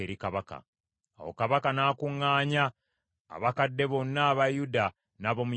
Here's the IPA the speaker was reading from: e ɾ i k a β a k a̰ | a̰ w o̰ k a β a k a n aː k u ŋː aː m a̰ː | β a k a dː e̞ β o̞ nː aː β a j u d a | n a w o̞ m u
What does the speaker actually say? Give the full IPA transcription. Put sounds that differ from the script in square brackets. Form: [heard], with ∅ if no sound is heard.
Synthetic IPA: e ɾ i k a β a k a̰ | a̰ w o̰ k a β a k a n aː k u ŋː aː [ɲ] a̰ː | β a k a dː e̞ β o̞ nː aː β a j u d a | n a [β] o̞ m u